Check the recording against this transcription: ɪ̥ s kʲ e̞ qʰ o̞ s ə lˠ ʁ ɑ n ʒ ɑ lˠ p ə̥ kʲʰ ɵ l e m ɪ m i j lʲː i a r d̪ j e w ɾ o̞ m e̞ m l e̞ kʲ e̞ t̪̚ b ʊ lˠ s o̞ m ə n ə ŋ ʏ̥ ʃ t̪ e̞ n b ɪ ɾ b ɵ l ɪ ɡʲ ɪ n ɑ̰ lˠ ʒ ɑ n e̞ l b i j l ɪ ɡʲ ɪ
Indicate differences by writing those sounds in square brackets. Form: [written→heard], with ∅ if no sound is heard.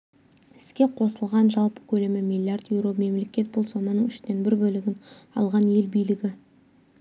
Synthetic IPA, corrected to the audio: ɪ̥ s kʲ e̞ qʰ o̞ s ə lˠ ʁ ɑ n ʒ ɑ lˠ p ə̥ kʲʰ ɵ l e m ɪ m i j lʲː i a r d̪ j e w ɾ o̞ m e̞ m l e̞ kʲ e̞ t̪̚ b ʊ lˠ s o̞ m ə n ə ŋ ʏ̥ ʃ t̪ e̞ n b ɪ ɾ b ɵ l ɪ ɡʲ ɪ n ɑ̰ lˠ [ʒ→ʁ] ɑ n e̞ l b i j l ɪ ɡʲ ɪ